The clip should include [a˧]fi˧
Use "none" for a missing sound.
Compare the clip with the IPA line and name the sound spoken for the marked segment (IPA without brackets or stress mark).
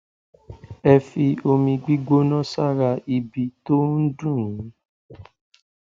ɛ˧